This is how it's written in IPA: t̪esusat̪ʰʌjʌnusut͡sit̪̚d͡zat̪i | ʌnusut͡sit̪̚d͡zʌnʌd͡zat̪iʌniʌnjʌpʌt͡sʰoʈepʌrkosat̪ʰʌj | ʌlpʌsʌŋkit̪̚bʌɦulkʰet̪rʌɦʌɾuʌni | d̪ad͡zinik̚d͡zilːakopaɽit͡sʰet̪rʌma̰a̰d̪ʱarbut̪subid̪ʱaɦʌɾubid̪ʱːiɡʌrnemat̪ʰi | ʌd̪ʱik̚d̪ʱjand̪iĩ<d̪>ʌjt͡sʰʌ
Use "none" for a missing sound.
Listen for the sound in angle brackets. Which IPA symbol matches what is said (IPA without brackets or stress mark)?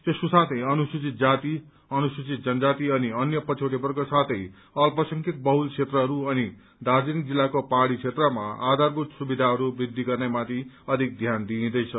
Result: d̪